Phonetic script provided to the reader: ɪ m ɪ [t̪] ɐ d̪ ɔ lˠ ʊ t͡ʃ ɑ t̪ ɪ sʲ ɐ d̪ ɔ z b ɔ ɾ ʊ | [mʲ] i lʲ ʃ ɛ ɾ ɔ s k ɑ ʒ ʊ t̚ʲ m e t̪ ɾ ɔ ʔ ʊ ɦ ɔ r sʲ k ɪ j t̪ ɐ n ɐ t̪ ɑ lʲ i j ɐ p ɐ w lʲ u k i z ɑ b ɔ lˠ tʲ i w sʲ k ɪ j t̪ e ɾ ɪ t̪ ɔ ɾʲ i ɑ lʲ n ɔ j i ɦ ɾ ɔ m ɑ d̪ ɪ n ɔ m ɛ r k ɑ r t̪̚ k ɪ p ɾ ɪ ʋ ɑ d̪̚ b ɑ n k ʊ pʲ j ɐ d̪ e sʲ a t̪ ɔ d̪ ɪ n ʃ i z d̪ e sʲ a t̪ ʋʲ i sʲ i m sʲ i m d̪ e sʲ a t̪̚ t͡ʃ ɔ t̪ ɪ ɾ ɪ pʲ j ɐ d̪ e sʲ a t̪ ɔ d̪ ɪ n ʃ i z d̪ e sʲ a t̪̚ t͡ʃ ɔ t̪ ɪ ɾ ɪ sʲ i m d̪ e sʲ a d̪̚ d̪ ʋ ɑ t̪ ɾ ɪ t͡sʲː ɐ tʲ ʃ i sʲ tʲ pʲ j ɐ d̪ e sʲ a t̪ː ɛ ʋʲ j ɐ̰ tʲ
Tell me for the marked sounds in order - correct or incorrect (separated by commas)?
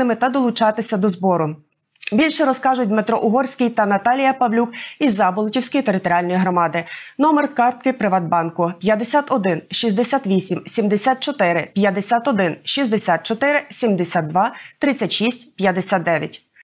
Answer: correct, incorrect